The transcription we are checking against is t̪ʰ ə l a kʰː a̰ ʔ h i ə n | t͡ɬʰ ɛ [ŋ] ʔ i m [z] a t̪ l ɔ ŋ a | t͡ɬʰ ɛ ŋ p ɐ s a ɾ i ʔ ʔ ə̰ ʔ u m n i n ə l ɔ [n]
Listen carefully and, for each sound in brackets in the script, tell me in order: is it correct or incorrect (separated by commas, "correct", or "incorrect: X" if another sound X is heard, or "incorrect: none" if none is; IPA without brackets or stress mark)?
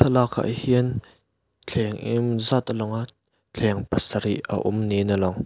correct, correct, incorrect: ŋ